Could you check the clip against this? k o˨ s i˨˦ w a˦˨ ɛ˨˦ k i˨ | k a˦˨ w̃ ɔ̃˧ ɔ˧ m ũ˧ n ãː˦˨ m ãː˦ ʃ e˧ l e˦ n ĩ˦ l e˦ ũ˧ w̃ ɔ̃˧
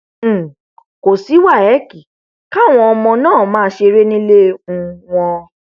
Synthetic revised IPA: k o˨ s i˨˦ w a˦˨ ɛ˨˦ k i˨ | k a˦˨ w̃ ɔ̃˧ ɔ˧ m ɔ̃˧ n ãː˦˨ m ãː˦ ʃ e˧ ɾ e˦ n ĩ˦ l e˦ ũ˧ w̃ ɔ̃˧